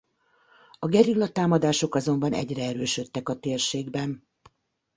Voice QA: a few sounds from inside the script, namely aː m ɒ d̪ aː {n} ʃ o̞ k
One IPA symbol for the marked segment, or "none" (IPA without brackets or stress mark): none